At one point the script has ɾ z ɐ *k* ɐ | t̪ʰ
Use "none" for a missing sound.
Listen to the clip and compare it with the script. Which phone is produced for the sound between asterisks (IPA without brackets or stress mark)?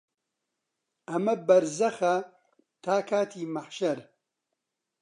x